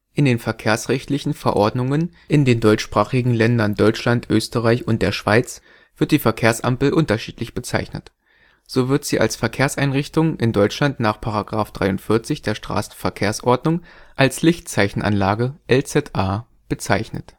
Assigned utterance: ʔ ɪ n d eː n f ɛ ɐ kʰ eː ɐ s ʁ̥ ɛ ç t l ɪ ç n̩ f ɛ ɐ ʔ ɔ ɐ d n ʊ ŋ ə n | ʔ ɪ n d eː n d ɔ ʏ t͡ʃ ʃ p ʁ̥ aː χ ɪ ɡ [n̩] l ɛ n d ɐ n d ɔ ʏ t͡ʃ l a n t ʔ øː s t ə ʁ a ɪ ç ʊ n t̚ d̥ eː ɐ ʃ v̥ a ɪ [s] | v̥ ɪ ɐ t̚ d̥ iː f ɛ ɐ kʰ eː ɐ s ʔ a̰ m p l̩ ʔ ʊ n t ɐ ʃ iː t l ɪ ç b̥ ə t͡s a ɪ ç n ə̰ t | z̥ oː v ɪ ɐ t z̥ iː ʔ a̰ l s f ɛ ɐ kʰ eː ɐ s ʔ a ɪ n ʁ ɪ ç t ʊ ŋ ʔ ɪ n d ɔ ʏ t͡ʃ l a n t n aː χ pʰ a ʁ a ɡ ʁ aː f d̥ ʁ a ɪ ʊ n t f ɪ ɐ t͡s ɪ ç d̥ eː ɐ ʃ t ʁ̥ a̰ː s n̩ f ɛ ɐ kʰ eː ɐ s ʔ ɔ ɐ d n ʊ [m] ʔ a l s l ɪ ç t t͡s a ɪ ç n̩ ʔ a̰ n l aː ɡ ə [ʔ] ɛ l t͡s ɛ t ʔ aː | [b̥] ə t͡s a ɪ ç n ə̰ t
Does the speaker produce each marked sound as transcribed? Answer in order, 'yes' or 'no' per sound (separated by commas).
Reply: no, no, no, yes, yes